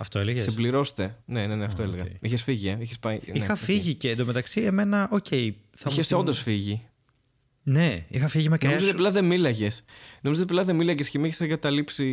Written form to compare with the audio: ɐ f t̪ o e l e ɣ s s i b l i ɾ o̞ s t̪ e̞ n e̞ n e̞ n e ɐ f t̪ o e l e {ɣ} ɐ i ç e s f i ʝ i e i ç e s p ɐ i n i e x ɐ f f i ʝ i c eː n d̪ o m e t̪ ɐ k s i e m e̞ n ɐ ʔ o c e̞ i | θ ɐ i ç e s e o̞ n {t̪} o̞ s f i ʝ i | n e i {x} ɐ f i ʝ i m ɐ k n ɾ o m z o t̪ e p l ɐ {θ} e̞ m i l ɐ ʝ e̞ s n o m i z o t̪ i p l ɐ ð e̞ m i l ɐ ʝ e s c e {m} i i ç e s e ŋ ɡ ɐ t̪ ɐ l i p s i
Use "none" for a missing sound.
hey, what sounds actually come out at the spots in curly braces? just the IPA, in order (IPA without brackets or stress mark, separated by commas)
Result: ɣ, d̪, x, ð, m